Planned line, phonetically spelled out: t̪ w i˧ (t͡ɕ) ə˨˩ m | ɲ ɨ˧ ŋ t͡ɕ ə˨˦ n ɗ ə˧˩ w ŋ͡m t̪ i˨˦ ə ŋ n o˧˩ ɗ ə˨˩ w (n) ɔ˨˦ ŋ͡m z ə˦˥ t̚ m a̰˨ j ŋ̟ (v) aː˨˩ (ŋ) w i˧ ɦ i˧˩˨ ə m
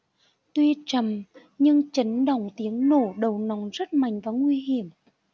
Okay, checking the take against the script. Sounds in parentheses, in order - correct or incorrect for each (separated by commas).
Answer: correct, correct, correct, correct